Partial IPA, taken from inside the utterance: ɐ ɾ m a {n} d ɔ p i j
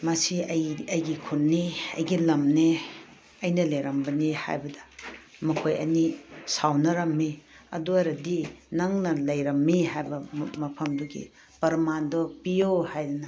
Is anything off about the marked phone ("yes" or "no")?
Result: no